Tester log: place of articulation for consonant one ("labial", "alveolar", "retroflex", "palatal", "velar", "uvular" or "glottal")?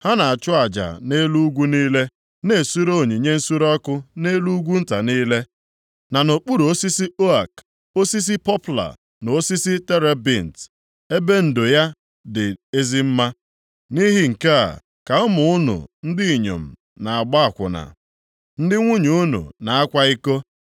glottal